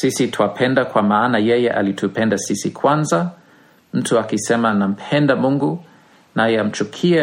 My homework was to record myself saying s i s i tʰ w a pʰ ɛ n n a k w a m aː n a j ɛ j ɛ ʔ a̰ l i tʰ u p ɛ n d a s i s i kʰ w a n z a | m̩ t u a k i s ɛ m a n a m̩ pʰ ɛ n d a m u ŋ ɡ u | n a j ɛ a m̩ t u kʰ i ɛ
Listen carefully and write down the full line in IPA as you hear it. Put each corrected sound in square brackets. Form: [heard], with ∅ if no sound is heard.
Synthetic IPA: s i s i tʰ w a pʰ ɛ n [d] a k w a m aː n a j ɛ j ɛ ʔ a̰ l i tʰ u p ɛ n d a s i s i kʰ w a n z a | m̩ t u a k i s ɛ m a n a m̩ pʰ ɛ n d a m u ŋ ɡ u | n a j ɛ a m̩ [t͡ʃ] u kʰ i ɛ